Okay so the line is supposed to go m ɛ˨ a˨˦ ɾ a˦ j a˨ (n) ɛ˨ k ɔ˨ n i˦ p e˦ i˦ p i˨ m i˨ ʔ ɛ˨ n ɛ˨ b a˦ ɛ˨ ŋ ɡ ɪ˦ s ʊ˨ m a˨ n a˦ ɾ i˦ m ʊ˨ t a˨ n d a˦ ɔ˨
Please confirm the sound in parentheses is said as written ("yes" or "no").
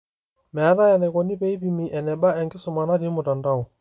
yes